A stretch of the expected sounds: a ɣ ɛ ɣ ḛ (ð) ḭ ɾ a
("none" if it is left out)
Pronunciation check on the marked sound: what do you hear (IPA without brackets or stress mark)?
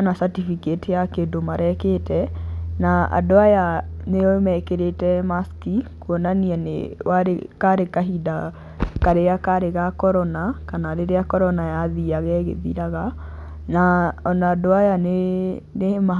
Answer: ð